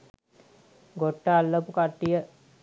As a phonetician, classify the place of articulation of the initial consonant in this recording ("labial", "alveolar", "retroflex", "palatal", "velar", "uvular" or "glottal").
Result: velar